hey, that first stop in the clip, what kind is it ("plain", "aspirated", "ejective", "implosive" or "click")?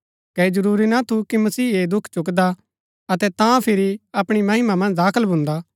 plain